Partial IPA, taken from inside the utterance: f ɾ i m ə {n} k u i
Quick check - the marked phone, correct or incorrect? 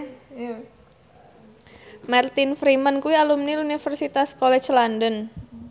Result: correct